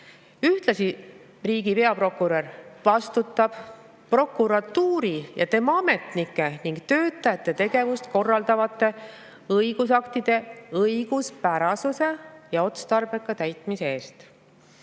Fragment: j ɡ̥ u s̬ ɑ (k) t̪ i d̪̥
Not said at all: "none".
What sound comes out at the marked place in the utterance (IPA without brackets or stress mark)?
k